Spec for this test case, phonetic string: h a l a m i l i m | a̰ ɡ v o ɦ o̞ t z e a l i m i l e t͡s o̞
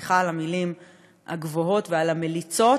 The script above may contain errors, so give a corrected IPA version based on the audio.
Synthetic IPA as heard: χ a l a m i l i m | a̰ ɡ v o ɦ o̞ t v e a l a m e l i t͡s o̞